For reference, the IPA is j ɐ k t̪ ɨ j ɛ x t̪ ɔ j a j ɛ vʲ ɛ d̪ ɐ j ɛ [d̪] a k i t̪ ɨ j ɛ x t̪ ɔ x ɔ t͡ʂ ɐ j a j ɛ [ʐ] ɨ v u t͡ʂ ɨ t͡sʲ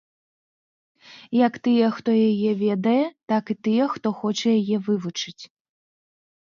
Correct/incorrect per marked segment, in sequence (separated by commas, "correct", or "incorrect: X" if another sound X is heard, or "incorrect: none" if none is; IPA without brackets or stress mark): incorrect: t̪, incorrect: v